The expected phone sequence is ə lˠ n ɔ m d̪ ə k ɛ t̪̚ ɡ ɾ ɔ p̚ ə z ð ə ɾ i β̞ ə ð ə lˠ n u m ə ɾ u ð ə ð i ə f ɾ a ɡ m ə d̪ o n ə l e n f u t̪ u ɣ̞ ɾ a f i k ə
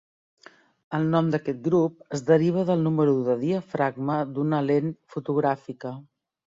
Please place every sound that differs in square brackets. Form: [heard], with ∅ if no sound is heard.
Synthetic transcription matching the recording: ə lˠ n ɔ m d̪ ə k ɛ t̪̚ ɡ ɾ [u] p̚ ə z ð ə ɾ i β̞ ə ð ə lˠ n u m ə ɾ u ð ə ð i ə f ɾ a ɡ m ə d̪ [u] n ə l e n f u t̪ u ɣ̞ ɾ a f i k ə